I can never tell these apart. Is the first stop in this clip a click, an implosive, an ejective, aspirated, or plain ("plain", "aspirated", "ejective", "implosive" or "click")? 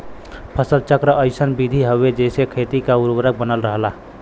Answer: aspirated